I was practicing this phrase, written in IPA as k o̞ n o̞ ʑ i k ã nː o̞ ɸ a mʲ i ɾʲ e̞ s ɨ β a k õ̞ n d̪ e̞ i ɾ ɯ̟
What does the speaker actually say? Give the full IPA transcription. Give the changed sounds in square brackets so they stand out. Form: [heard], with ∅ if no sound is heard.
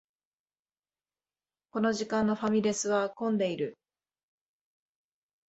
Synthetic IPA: k o̞ n o̞ ʑ i k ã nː o̞ ɸ a mʲ i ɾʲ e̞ s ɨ β a k õ̞ n d̪ e̞ i ɾ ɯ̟